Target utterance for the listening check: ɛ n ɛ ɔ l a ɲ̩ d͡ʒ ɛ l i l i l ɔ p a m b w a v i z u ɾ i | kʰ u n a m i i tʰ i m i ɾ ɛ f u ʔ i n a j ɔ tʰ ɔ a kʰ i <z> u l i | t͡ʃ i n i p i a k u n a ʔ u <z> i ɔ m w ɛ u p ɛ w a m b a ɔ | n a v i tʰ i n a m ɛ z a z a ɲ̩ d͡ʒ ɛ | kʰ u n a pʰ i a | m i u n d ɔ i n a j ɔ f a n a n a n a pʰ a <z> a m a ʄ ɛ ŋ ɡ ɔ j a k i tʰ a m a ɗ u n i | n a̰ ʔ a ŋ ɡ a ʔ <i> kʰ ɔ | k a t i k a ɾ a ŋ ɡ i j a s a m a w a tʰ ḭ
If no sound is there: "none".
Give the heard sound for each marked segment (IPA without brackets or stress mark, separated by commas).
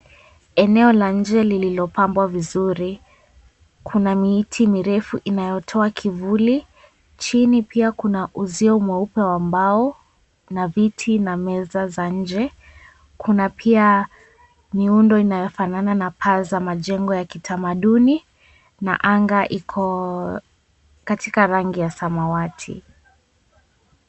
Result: v, z, z, i